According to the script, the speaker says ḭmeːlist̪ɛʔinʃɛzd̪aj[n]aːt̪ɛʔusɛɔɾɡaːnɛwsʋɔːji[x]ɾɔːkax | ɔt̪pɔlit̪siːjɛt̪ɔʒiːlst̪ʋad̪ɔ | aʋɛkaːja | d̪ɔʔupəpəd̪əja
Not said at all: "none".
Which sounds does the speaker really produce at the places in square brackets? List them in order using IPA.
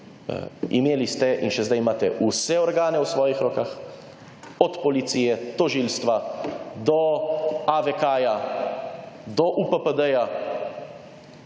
m, x

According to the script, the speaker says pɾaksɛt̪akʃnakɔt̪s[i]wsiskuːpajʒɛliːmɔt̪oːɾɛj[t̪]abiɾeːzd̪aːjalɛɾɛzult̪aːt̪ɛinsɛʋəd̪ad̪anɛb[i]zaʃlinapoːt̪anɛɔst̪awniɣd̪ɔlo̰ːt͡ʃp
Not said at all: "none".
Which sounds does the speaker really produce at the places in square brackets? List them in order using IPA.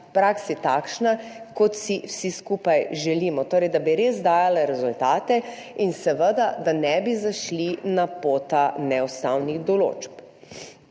i, d̪, i

